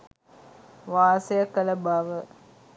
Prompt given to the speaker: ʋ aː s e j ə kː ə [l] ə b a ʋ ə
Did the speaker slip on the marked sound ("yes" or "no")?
no